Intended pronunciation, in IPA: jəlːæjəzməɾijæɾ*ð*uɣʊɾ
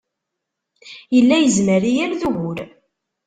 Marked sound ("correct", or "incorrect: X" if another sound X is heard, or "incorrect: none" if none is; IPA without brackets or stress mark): correct